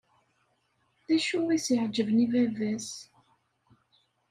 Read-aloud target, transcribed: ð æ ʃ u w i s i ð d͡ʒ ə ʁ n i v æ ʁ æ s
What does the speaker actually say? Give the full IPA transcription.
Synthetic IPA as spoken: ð æ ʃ u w i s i ʕ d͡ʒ ə v n i v æ v æ s